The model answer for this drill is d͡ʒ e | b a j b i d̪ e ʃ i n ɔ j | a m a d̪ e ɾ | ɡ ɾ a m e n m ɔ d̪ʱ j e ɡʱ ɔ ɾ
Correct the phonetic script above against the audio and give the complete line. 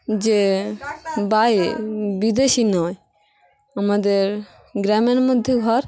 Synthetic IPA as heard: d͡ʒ e | b a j b i d̪ e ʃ i n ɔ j | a m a d̪ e ɾ | ɡ ɾ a m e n m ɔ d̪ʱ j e ɡʱ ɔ ɾ